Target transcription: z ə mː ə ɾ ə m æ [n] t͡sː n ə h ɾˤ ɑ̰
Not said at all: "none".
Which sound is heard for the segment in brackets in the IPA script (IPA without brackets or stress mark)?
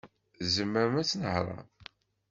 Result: none